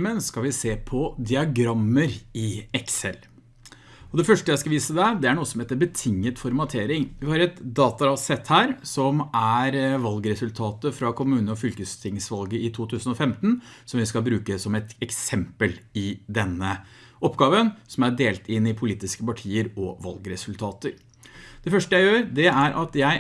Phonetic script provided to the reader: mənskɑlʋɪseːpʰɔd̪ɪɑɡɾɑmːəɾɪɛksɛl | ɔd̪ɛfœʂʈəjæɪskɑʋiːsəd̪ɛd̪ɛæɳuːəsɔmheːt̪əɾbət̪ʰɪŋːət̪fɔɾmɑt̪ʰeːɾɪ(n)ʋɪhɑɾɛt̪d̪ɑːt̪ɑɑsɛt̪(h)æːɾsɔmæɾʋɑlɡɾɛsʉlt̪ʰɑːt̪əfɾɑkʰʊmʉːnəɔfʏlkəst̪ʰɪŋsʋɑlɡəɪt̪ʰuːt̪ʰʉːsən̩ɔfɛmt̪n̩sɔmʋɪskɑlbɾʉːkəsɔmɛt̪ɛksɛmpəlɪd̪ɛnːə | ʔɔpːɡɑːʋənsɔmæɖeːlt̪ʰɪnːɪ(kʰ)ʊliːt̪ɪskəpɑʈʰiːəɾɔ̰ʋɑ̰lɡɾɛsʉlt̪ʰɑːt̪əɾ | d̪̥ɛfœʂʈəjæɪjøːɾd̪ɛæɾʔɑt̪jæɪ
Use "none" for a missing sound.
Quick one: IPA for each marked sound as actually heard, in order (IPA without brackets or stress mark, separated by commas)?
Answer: ŋ, h, pʰ